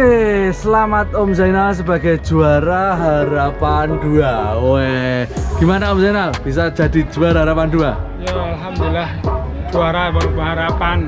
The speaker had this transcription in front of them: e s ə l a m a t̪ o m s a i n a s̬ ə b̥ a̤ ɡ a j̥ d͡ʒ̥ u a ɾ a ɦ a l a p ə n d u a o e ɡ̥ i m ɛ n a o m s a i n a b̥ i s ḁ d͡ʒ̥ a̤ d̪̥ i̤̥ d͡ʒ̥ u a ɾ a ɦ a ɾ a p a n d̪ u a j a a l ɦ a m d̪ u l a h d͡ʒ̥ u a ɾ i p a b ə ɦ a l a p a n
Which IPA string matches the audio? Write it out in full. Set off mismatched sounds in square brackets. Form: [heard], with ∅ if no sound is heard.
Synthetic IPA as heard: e s ə l a m a t̪ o m s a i n a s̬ ə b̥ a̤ ɡ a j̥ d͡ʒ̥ u a ɾ a ɦ a [ɾ] a p [a] n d u a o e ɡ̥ i m [a] n a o m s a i n a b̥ i s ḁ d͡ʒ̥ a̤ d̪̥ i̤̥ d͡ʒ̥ u a ɾ a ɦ a ɾ a p a n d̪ u a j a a l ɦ a m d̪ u l a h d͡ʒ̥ u a ɾ [a] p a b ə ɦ a [ɾ] a p a n